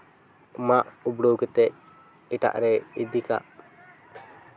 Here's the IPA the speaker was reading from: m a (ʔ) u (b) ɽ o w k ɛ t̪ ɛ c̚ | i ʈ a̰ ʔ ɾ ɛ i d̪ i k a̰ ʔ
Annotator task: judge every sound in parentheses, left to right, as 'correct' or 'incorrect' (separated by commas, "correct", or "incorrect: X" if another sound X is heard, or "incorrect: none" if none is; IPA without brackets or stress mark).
correct, correct